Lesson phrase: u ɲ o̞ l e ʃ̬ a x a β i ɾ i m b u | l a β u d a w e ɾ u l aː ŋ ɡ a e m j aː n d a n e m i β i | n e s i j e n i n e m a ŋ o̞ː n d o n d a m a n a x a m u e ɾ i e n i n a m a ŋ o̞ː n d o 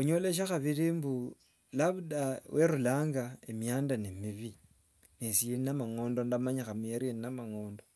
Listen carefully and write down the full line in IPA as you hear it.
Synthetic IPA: u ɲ o̞ l e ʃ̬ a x a β i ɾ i m b u | l a β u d a w e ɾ u l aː ŋ ɡ a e m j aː n d a n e m i β i | n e s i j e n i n a m a ŋ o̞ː n d o n d a m a ɲ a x a m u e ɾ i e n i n a m a ŋ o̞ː n d o